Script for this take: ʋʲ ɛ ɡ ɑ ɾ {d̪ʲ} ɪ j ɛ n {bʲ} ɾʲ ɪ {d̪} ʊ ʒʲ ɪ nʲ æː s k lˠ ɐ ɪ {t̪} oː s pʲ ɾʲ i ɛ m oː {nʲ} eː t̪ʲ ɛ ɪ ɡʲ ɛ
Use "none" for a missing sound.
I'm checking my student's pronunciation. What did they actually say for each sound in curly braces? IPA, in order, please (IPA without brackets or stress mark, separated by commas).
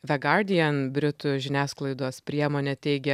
d̪ʲ, bʲ, t̪, d̪, nʲ